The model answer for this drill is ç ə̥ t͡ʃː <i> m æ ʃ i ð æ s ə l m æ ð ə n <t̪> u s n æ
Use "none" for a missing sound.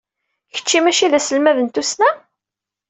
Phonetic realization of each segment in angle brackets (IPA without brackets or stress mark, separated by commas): i, t̪